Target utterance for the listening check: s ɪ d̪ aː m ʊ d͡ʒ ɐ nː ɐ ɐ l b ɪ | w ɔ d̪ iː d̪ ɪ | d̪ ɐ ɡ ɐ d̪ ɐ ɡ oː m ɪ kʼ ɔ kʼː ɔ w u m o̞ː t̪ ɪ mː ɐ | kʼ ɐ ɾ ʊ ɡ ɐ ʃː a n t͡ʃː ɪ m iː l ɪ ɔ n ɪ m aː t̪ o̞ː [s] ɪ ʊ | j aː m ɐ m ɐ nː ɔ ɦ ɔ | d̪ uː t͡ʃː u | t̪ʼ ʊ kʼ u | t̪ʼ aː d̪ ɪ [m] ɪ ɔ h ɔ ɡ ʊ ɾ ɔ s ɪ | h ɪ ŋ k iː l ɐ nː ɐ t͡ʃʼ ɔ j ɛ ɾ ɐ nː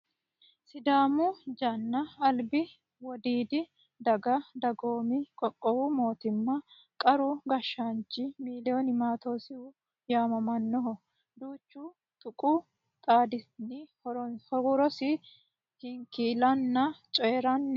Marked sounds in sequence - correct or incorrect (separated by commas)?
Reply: correct, incorrect